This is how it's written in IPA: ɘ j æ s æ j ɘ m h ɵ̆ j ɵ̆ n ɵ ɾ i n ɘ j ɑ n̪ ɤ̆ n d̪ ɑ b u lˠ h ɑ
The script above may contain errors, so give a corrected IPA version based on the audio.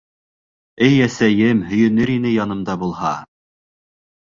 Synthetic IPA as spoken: ɘ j æ s æ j ɘ m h ɵ̆ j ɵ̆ n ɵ ɾ i n ɘ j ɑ n̪ ɤ̆ m d̪ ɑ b u lˠ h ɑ